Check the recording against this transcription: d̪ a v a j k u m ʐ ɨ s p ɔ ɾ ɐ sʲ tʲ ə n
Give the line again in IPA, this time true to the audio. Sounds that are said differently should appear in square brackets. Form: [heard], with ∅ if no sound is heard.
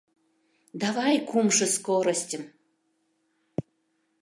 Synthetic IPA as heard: d̪ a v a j k u m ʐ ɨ s [k] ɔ ɾ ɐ sʲ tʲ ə [m]